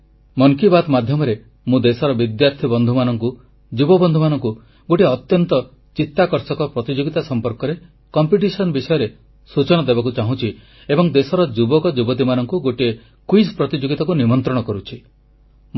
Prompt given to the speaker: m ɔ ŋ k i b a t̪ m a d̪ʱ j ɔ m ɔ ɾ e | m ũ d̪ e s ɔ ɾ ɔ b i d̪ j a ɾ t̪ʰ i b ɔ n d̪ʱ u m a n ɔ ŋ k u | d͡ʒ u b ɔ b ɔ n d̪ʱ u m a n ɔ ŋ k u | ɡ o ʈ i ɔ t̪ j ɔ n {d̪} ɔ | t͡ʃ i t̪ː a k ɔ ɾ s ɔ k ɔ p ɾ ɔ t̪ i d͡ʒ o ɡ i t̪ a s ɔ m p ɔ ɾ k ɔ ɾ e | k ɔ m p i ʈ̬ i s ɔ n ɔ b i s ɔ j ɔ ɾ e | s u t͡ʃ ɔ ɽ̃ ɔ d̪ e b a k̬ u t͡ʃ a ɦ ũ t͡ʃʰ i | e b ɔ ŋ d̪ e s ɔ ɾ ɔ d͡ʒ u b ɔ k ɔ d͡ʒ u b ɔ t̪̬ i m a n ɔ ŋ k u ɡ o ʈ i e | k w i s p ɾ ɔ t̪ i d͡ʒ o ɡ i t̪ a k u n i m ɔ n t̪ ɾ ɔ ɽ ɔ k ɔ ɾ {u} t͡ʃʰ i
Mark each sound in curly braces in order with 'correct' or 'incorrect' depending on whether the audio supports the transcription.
incorrect, correct

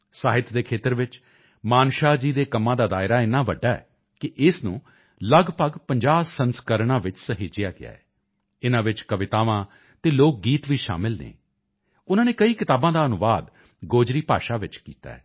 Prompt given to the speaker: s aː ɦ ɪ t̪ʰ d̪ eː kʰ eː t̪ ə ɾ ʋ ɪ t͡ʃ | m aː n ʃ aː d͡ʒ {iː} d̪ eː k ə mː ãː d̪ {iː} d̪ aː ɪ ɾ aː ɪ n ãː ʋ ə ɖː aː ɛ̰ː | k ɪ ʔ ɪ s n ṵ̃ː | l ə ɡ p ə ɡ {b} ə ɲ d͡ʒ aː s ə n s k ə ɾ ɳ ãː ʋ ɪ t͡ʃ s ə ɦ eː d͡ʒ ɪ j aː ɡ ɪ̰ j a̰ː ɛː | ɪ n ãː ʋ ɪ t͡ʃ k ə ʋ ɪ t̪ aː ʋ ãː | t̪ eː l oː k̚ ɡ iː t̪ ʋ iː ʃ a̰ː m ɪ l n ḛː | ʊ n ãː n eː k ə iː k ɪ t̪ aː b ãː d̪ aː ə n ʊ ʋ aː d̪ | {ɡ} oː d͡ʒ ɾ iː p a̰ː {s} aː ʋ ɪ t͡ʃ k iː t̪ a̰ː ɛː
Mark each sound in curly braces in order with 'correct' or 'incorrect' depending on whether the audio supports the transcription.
correct, incorrect, incorrect, correct, incorrect

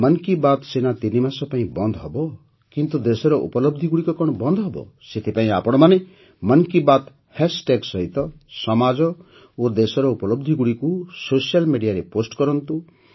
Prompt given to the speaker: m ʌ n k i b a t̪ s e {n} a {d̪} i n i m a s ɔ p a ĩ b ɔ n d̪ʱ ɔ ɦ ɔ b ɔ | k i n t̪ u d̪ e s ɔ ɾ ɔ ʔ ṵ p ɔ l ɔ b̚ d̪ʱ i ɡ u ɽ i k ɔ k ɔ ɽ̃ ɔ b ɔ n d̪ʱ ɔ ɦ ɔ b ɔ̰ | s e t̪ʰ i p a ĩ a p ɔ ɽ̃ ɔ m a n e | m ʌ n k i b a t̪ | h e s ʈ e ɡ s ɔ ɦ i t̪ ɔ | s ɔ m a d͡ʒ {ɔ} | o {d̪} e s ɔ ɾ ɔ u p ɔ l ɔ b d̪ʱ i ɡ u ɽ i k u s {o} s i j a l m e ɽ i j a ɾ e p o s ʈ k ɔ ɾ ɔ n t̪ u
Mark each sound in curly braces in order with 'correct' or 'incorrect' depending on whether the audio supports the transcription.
correct, incorrect, correct, correct, correct

